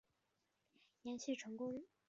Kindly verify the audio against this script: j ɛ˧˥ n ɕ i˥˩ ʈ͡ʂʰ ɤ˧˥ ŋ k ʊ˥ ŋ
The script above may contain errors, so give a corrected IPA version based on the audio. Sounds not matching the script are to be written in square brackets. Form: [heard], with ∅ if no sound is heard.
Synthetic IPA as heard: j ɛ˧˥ n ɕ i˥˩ ʈ͡ʂʰ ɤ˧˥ ŋ k ʊ˥ ŋ